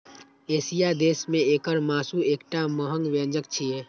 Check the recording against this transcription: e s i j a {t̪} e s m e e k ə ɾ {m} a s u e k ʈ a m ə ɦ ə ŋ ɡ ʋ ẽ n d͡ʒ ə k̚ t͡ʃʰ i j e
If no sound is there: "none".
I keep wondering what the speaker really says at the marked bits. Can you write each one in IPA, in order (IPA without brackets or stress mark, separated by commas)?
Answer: d̪, m